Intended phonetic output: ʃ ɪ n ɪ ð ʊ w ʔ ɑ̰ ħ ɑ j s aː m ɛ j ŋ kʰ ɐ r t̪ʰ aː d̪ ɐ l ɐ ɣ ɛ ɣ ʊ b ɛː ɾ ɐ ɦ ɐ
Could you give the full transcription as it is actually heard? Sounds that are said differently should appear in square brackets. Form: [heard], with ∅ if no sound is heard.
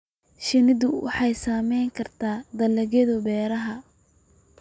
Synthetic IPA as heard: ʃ ɪ n ɪ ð ʊ w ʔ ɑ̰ ħ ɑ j s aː m ɛ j ŋ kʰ ɐ r t̪ʰ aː d̪ ɐ l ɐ ɣ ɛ [ð] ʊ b ɛː ɾ ɐ ɦ ɐ